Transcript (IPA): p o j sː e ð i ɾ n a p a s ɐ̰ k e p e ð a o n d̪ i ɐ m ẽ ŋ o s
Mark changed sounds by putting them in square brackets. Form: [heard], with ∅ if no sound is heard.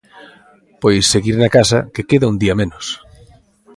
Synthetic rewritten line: p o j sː e [ɣ] i ɾ n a [k] a s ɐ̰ k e [k] e ð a [u] n d̪ i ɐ m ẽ [n] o s